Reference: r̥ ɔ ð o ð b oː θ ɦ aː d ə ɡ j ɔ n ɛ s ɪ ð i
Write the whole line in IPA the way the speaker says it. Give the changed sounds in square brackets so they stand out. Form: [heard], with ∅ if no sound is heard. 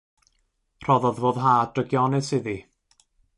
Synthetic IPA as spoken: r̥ ɔ ð [ɔ] ð [v] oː [ð] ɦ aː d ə ɡ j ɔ n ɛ s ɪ ð i